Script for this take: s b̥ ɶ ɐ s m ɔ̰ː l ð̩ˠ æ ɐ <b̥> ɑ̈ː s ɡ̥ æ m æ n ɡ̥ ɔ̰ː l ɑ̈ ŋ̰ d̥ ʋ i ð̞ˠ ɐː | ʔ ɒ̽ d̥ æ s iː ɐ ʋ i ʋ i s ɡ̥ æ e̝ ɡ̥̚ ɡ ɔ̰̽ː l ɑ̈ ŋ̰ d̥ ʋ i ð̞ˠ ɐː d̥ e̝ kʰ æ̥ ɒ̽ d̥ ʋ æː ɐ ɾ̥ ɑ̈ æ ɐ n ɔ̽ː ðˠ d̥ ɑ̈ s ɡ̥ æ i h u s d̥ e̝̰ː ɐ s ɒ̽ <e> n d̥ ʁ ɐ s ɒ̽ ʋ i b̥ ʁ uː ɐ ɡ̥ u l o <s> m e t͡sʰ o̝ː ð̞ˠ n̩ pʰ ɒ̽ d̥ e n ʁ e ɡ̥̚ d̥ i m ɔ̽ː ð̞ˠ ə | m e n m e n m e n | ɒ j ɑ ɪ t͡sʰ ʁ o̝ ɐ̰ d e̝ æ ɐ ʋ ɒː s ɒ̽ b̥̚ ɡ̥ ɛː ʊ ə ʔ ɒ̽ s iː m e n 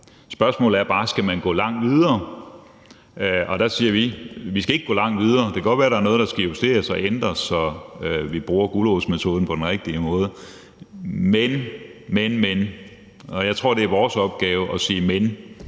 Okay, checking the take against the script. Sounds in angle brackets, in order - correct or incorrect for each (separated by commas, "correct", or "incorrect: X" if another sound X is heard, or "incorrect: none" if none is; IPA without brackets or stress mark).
correct, correct, correct